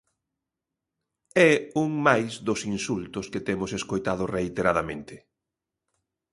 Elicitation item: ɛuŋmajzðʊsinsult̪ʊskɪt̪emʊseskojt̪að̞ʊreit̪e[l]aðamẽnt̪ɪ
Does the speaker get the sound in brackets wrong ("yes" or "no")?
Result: yes